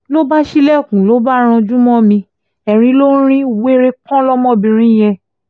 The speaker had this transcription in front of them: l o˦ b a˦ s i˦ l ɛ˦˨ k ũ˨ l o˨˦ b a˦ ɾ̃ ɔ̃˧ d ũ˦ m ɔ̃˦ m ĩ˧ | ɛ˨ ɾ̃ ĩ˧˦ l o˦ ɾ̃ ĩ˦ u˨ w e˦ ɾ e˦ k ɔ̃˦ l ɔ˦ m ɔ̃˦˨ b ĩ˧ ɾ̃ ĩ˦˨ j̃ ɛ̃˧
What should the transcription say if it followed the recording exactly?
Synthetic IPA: l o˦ b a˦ ʃ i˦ l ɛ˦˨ k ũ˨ l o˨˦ b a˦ ɾ̃ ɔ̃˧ d͡ʒ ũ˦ m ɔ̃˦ m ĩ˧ | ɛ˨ ɾ̃ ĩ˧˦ l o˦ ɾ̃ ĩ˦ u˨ w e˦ ɾ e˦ k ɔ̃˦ l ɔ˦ m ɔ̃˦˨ b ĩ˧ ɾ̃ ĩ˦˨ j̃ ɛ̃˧